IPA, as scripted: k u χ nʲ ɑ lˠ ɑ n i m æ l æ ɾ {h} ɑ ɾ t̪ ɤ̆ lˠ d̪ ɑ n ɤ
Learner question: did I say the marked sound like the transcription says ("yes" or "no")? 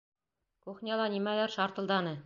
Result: no